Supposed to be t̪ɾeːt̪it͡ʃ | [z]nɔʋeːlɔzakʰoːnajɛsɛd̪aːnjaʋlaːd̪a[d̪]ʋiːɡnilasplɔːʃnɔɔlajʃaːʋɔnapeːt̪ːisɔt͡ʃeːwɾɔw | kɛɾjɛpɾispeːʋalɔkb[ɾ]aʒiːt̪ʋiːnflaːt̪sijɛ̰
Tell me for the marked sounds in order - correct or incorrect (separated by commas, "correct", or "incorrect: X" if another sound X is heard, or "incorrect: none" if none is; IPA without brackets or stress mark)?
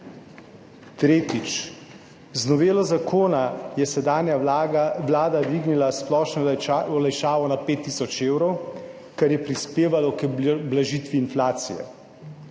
correct, correct, incorrect: l